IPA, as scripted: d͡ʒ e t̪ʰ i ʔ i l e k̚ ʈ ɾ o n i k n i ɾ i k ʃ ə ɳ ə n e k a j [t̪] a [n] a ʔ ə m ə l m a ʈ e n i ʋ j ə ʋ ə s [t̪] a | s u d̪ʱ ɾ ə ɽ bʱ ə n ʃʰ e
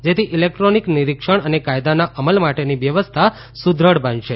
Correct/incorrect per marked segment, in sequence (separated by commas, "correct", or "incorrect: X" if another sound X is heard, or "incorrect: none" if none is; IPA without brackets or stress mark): incorrect: d̪, correct, incorrect: t̪ʰ